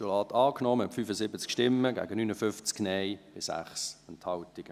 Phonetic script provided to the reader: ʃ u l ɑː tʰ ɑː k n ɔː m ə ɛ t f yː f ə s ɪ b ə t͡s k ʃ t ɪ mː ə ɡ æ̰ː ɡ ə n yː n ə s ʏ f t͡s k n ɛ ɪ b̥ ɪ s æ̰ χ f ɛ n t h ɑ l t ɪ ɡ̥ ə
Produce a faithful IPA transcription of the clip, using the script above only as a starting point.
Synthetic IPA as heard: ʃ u l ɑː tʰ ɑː k n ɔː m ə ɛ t f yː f ə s ɪ b ə t͡s k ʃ t ɪ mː ə ɡ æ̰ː ɡ ə n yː n ə f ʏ f t͡s k n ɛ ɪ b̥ ɪ s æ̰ χ s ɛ n t h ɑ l t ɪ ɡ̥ ə